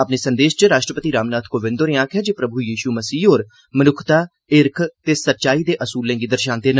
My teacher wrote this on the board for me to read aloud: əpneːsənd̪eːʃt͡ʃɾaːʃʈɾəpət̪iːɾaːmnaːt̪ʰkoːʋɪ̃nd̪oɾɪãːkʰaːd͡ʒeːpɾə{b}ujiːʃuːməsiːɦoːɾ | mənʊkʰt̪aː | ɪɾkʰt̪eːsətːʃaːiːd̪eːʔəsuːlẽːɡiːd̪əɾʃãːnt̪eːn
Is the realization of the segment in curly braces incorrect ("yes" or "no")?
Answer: no